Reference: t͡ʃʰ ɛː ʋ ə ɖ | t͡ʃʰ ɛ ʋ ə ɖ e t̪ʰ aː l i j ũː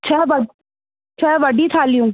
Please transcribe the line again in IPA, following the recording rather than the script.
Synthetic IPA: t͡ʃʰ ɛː ʋ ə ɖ | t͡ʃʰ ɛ ʋ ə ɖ i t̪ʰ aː l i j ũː